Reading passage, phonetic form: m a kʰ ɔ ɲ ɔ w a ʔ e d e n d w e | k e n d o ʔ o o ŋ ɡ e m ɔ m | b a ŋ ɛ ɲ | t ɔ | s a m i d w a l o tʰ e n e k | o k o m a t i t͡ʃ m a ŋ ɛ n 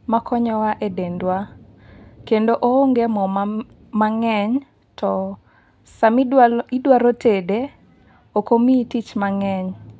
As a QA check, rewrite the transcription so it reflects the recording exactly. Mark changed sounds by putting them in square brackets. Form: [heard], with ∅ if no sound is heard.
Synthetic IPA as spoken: m a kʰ ɔ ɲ ɔ w a ʔ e d e n d w [a] | k e n d o ʔ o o ŋ ɡ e m ɔ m | [m] a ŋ ɛ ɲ | t ɔ | s a m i d w a [ɾ] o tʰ e [d] e [∅] | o k o m [i] t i t͡ʃ m a ŋ ɛ [ɲ]